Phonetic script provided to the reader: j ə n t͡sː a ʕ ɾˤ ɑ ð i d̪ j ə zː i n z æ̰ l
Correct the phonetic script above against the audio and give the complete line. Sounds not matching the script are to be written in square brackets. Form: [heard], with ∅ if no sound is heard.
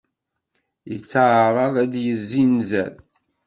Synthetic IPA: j ə [∅] t͡sː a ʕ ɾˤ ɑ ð [æ] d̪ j ə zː i n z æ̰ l